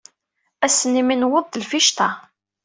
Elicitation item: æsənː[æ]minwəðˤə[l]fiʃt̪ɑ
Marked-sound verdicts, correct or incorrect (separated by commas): incorrect, correct